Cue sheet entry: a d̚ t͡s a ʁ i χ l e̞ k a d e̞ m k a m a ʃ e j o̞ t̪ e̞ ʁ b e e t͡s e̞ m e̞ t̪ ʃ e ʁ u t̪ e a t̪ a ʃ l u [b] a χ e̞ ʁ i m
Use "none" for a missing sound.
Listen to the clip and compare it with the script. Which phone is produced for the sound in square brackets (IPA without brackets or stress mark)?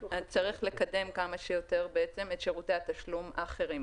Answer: m